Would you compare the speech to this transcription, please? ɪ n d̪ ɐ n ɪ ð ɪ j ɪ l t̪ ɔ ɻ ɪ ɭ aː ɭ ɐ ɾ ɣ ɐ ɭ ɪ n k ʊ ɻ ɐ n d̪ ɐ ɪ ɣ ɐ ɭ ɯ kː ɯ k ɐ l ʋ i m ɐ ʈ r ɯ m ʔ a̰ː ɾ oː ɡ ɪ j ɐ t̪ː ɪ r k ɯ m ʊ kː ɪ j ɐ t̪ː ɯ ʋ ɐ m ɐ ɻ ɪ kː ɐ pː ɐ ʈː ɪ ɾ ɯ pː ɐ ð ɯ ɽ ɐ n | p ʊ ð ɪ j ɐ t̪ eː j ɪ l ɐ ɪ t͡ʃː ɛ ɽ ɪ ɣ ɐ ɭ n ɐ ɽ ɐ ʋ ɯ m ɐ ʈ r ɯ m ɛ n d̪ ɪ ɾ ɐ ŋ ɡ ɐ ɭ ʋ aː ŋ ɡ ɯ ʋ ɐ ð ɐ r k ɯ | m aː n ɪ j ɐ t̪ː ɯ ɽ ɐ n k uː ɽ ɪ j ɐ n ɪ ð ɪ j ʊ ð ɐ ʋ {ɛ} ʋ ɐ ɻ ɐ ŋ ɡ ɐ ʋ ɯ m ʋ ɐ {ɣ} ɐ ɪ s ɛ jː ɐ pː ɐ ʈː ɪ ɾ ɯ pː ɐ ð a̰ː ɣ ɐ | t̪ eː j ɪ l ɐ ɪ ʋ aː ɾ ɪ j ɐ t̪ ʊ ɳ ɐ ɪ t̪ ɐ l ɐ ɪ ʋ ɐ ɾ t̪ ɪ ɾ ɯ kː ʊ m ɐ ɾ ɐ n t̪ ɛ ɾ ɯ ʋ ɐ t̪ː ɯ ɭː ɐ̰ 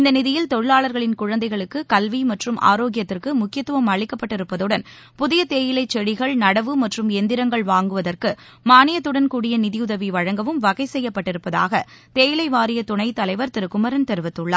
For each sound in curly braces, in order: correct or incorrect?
incorrect: i, correct

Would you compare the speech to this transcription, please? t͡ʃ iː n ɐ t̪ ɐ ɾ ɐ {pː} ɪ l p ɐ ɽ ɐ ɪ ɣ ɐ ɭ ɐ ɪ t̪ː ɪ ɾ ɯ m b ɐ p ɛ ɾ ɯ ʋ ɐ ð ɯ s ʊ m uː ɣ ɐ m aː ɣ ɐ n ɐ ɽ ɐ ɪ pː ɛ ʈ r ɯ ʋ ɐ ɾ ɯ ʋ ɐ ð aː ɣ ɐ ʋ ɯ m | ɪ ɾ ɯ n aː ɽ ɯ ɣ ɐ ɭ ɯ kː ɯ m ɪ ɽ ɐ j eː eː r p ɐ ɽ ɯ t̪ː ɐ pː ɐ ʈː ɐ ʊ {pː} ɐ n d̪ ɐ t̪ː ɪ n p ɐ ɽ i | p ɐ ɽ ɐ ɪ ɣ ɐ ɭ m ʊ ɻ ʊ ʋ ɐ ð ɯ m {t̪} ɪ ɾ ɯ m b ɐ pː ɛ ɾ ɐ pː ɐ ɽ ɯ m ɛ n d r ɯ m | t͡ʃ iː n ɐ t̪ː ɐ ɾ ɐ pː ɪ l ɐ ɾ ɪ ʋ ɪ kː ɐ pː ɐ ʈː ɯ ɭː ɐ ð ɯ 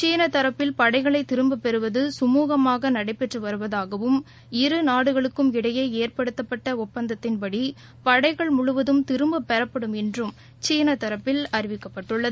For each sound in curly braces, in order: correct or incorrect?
correct, correct, correct

